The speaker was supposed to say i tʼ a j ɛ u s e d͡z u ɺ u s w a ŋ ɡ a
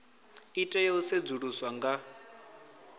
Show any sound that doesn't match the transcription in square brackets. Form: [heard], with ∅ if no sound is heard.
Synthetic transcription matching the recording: i tʼ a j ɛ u s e d͡z u ɺ u s w a ŋ ɡ a

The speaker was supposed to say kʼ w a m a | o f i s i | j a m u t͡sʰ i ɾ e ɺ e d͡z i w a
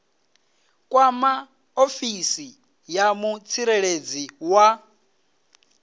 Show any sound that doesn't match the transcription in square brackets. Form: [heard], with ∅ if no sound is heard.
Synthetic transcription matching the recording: kʼ w a m a | o f i s i | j a m u t͡sʰ i ɾ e ɺ e d͡z i w a

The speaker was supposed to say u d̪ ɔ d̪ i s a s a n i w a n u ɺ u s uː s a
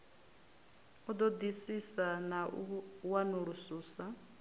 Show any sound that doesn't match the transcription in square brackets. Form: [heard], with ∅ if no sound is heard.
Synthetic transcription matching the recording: u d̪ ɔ d̪ i s [i] s a n [a] w a n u ɺ u s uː s a

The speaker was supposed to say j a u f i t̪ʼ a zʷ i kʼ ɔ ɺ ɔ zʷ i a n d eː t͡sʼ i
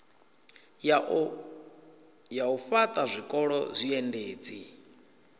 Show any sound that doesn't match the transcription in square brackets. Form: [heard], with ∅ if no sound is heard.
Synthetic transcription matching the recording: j a u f [a] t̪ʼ a zʷ i kʼ ɔ ɺ ɔ zʷ i [ɛ] n d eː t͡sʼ i

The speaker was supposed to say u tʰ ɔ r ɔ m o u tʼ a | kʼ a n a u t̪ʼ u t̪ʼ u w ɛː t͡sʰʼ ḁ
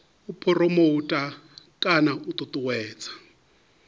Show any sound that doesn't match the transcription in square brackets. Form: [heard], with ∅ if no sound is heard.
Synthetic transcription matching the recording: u [pʰ] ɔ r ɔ m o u tʼ a | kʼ a n a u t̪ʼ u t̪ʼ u w ɛː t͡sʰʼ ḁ

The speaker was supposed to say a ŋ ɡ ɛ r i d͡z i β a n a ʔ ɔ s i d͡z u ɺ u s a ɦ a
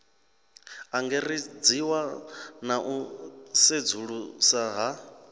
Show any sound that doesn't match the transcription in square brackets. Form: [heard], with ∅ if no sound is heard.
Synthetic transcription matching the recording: a ŋ ɡ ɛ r i d͡z i [w] a n a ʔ [u] s [e] d͡z u ɺ u s a ɦ a

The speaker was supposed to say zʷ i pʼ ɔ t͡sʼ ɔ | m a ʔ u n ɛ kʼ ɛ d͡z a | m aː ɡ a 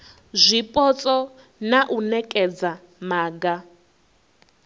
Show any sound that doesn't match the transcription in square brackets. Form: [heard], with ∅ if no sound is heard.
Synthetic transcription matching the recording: zʷ i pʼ ɔ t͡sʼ ɔ | [n] a ʔ u n ɛ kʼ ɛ d͡z a | m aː ɡ a

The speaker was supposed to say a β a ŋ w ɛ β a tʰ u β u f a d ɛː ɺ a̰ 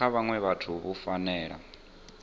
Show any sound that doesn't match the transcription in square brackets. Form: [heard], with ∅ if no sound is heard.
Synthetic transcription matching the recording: a β a ŋ w ɛ β a tʰ u β u f a [n] ɛː ɺ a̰

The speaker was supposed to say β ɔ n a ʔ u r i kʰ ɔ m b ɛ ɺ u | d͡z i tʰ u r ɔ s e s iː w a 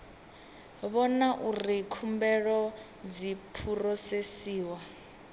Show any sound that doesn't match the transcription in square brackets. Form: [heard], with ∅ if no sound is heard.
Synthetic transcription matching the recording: β ɔ n a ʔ u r i kʰ [u] m b ɛ ɺ [ɔ] | d͡z i [pʰ] u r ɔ s e s iː w a

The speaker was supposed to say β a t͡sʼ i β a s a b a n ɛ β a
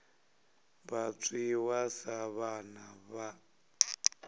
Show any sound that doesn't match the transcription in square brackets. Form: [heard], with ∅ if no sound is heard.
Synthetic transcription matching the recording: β a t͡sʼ i [w] a s a [β] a n [a] β a

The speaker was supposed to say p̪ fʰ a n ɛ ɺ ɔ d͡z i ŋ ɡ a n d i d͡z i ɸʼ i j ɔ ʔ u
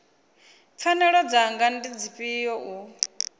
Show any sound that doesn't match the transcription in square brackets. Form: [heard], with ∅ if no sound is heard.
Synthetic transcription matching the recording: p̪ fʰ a n ɛ ɺ ɔ d͡z [a] ŋ ɡ a n d i d͡z i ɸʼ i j ɔ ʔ u

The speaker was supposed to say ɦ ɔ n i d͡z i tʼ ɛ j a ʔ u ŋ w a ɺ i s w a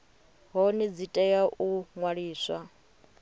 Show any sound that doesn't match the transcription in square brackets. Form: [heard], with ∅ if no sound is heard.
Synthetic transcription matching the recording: ɦ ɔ n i d͡z i tʼ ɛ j a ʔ u ŋ w a ɺ [iː] s w a

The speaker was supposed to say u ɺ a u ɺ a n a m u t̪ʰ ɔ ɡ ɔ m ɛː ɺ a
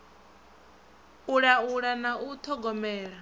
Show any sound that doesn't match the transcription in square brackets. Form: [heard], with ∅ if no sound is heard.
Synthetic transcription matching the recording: u ɺ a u ɺ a n a [∅] u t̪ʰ ɔ ɡ ɔ m ɛː ɺ a

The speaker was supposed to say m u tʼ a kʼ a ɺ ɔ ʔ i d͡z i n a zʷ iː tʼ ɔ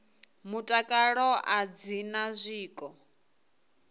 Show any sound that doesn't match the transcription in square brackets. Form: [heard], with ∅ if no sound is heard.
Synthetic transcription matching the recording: m u tʼ a kʼ a ɺ ɔ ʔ [a] d͡z i n a zʷ iː [kʼ] ɔ

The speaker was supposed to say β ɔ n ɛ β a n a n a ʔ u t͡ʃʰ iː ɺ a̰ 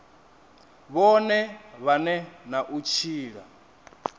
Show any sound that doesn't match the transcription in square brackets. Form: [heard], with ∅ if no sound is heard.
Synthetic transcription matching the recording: β ɔ n ɛ β a n [ɛ] n a ʔ u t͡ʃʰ iː ɺ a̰

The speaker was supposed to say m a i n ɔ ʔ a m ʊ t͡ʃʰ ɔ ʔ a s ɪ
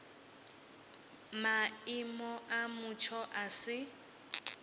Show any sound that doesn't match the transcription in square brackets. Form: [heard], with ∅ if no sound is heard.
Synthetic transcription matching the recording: m a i [m] ɔ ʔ a m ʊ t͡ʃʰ ɔ ʔ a s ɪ

